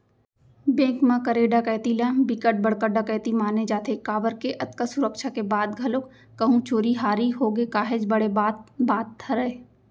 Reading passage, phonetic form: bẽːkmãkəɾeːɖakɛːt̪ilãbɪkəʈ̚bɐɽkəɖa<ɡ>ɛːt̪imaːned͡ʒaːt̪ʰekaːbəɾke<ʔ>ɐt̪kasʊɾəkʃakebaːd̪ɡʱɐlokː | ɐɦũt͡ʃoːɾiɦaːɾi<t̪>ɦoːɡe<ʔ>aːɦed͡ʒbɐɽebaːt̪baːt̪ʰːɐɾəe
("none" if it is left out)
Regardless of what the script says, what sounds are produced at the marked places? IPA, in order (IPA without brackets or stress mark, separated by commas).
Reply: k, ʔ, none, k